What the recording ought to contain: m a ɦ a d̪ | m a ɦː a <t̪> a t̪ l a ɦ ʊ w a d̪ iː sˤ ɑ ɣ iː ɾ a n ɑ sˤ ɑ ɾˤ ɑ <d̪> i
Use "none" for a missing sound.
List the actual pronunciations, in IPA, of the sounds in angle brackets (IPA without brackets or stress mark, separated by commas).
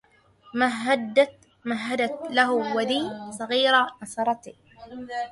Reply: d̪, t̪